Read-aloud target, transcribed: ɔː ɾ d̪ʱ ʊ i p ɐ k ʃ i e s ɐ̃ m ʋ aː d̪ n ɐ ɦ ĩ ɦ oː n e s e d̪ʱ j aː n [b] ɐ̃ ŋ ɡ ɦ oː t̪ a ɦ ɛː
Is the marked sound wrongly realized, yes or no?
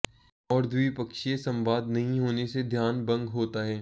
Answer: no